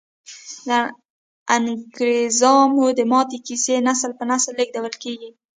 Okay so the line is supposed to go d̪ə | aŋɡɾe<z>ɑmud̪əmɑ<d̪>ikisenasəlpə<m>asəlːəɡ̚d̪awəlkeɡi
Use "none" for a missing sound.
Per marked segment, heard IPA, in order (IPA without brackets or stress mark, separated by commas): z, t̪, n